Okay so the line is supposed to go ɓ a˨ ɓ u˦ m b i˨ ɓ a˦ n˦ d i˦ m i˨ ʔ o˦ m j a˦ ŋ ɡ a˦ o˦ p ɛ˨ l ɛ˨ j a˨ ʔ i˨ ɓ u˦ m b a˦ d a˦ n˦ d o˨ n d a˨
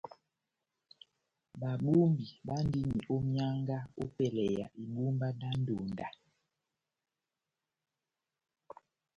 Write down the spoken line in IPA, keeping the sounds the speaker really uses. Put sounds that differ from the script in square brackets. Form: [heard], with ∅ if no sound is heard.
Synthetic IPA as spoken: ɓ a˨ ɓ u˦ m b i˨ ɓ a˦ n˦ d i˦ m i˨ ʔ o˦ m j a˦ ŋ ɡ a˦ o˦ p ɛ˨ l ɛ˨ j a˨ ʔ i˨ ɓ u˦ m b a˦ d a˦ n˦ d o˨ n d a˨